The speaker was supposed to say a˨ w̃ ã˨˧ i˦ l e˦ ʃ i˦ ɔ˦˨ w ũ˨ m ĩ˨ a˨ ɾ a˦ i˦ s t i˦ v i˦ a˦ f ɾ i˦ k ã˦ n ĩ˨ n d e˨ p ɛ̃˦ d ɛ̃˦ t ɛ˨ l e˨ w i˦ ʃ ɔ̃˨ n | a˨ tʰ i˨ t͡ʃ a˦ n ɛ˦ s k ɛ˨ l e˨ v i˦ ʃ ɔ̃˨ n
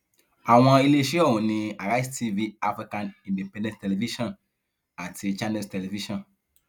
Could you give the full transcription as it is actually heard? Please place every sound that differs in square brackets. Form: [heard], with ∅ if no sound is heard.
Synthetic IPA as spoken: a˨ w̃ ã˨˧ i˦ l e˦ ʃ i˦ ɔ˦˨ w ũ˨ [n] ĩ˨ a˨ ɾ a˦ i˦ s t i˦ v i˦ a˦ f ɾ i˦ k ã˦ n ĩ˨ n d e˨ p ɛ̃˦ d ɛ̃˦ t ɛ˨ l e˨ [v] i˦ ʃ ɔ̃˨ n | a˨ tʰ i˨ t͡ʃ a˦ n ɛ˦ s [t] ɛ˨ l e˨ v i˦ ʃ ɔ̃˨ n